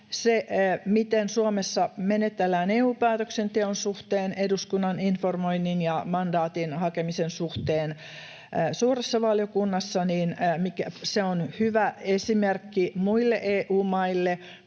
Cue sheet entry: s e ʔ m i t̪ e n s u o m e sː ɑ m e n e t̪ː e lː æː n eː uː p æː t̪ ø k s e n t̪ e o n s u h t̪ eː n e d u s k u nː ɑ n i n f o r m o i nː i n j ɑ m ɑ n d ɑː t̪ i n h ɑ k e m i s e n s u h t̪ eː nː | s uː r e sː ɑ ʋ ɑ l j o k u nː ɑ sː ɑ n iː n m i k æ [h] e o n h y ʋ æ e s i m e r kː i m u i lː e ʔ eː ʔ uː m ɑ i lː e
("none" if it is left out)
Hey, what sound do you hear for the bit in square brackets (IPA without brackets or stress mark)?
s